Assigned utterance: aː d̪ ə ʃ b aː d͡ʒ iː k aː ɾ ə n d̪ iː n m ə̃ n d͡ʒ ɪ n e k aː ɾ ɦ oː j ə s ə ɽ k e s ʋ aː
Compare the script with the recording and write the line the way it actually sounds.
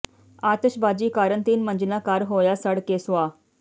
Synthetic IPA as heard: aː t̪ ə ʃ b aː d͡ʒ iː k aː ɾ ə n t̪ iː n m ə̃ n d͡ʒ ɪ n a k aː ɾ ɦ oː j a s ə ɽ k e s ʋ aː